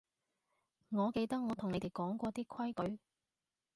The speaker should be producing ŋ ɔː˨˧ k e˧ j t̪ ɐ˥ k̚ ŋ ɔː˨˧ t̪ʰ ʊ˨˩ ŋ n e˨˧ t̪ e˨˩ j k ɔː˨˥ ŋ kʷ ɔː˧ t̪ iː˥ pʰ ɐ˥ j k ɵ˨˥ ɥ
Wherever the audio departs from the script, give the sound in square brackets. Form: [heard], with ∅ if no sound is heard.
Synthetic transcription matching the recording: ŋ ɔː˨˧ k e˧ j t̪ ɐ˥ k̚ ŋ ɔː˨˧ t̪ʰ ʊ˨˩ ŋ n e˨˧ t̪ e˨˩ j k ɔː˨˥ ŋ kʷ ɔː˧ t̪ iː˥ [kʰ] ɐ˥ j k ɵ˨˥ ɥ